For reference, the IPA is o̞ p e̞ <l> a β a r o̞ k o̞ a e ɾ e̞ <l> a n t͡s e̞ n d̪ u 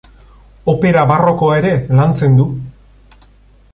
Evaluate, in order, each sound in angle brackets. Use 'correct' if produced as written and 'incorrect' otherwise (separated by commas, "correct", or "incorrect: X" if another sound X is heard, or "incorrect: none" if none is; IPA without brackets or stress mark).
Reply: incorrect: ɾ, correct